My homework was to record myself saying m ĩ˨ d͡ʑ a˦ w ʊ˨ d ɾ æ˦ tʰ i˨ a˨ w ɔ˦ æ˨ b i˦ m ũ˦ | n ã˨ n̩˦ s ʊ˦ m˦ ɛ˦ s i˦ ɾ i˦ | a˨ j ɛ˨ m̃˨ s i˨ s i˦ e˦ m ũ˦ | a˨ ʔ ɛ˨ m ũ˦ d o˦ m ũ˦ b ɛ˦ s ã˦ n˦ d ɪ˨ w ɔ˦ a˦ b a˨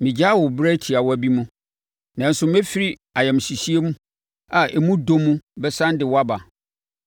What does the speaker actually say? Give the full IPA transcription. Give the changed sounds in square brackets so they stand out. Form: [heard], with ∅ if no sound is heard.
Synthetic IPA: m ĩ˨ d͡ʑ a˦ w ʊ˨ [b] ɾ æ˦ tʰ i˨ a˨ w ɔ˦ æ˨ b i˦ m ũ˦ | n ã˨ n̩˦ s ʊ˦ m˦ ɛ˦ [f] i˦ ɾ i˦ | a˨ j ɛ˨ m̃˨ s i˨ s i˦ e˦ m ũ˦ | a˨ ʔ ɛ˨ m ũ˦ d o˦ m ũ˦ b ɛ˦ s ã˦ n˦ d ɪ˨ w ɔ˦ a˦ b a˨